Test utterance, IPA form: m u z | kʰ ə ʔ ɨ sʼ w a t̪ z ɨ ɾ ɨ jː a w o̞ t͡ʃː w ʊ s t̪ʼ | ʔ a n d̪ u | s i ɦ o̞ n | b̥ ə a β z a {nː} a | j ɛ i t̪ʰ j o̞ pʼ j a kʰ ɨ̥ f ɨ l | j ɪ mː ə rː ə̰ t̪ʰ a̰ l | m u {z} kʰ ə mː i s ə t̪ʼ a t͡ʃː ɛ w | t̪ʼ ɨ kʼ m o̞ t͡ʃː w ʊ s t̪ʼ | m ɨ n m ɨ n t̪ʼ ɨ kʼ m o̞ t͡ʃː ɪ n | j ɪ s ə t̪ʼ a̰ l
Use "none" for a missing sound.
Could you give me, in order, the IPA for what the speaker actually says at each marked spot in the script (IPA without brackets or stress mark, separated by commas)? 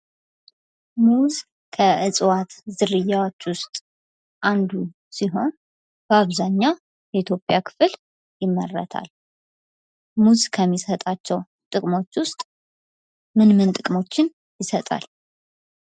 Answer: ɲː, z